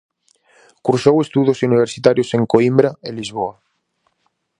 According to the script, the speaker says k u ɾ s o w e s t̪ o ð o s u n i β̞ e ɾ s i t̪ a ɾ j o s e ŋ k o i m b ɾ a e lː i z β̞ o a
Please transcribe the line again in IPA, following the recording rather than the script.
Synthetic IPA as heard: k u ɾ s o w e s t̪ u ð o s u n i β̞ e ɾ s i t̪ a ɾ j o s e ŋ k o i m b ɾ a e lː i z β̞ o a